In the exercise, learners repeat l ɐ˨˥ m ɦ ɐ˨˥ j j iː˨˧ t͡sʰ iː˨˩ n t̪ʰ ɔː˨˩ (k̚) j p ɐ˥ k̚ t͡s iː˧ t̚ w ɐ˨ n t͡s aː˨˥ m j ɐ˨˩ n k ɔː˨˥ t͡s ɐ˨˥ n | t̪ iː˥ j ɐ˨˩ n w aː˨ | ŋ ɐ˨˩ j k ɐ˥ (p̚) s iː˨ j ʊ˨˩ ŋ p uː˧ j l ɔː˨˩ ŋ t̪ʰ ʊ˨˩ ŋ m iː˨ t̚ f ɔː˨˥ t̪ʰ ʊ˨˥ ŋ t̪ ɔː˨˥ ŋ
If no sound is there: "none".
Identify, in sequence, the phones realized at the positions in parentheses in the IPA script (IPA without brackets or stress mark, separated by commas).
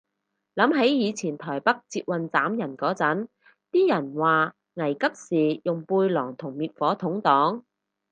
none, p̚